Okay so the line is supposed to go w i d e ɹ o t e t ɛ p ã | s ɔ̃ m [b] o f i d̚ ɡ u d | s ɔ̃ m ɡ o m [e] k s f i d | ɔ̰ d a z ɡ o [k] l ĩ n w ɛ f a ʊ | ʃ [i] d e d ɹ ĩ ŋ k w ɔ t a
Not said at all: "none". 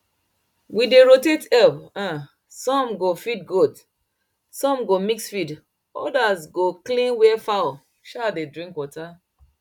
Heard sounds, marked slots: ɡ, i, k, a

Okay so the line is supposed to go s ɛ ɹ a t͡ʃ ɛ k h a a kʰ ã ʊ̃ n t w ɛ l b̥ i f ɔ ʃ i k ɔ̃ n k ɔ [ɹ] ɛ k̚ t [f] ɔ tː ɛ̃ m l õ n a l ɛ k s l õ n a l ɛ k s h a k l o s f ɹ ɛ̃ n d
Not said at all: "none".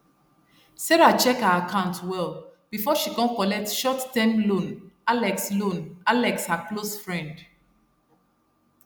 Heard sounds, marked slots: l, ʃ

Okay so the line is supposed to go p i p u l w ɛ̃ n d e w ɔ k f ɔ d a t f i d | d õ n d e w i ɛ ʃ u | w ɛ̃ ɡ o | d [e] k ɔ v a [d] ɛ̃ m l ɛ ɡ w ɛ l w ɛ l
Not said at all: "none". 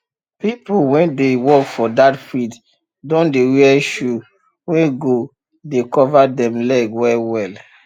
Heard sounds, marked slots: e, d

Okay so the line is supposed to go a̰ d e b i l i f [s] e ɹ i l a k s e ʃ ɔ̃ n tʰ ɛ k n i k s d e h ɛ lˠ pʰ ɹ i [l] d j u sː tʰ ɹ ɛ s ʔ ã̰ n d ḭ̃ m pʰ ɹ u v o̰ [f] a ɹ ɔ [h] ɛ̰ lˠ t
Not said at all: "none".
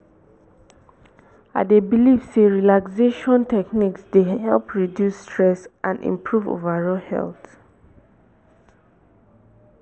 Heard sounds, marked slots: s, none, v, h

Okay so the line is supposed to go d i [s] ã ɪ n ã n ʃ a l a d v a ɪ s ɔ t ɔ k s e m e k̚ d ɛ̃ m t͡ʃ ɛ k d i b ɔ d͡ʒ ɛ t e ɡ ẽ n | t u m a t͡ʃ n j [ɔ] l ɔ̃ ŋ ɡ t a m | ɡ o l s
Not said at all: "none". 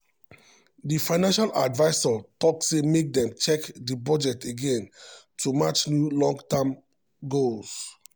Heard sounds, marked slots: f, u

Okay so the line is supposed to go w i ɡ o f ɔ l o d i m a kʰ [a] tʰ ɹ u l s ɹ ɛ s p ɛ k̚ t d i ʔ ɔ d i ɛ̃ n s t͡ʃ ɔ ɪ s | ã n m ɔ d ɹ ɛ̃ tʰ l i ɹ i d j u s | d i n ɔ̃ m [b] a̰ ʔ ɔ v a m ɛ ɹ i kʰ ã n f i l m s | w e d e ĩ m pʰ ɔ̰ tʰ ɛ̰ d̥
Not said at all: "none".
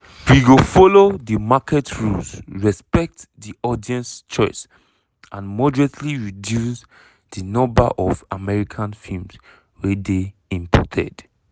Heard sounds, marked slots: ɛ, b

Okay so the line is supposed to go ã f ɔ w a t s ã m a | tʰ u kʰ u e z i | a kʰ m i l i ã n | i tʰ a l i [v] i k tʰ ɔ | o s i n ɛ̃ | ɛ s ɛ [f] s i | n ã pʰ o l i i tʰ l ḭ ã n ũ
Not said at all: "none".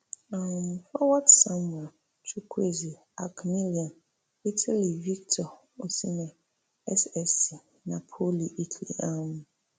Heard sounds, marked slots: v, none

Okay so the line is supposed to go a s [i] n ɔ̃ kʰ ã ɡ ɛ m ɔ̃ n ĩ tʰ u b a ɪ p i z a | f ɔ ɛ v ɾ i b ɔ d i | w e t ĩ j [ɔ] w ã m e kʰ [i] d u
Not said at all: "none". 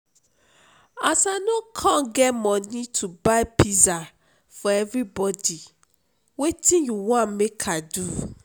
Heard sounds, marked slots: a, u, a

